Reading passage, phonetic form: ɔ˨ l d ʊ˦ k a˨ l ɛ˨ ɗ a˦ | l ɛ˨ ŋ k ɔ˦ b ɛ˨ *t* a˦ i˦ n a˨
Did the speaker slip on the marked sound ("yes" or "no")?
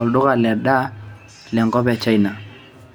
yes